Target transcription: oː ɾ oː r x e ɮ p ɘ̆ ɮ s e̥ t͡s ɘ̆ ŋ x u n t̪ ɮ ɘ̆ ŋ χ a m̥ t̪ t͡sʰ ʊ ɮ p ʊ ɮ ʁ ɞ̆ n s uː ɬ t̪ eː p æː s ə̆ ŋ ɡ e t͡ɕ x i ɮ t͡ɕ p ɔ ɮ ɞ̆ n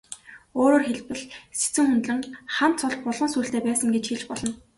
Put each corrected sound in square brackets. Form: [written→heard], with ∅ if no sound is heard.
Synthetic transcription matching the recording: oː ɾ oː r x e ɮ p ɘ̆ ɮ s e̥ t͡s ɘ̆ ŋ x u n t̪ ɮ ɘ̆ ŋ χ a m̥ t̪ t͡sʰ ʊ ɮ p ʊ ɮ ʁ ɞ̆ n s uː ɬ t̪ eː p æː s ə̆ ŋ ɡ e t͡ɕ x i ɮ t͡ɕ p ɔ ɮ ɞ̆ n